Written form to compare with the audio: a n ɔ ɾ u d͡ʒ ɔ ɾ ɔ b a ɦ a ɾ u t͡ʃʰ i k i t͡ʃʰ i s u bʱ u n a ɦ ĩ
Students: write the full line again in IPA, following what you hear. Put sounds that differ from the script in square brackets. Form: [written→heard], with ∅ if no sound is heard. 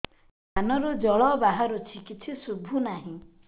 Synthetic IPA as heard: a n ɔ ɾ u d͡ʒ ɔ [ɾ→ɭ] ɔ b a ɦ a ɾ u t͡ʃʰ i k i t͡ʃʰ i s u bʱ u n a ɦ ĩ